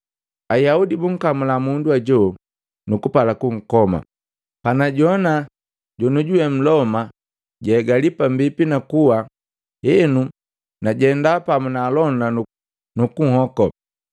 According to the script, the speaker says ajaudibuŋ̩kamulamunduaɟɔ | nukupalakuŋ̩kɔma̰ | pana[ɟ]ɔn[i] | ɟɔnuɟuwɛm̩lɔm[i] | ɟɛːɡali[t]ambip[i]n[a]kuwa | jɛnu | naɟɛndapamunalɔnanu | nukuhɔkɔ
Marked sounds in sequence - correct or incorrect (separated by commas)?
correct, incorrect, incorrect, incorrect, correct, correct